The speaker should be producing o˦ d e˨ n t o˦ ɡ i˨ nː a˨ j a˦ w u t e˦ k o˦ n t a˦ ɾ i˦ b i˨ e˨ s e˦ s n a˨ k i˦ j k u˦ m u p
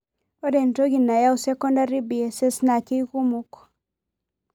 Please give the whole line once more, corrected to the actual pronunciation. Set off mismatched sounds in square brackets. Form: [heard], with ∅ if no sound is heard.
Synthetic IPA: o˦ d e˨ n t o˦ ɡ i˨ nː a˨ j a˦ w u [s] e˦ k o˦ n [d] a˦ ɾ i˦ b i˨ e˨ s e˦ s n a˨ k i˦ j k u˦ m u [k]